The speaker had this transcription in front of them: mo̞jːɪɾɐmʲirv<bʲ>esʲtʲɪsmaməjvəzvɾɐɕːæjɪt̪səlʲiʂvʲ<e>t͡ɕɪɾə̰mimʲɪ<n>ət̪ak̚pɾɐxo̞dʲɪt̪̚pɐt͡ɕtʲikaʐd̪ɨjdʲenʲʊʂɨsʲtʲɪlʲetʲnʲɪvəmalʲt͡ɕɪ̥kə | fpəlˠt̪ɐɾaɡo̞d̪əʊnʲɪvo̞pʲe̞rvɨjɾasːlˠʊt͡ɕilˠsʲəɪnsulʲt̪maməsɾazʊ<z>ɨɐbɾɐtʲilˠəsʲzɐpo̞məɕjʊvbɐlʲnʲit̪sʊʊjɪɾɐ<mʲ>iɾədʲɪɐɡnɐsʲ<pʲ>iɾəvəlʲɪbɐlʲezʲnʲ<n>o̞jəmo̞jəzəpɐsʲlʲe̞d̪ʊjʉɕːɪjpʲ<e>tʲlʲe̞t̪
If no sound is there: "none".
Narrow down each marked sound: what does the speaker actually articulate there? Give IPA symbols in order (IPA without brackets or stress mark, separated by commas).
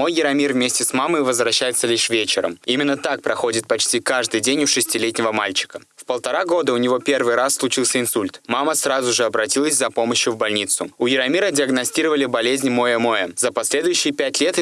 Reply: mʲ, e, nː, ʐ, mʲ, tʲ, m, æ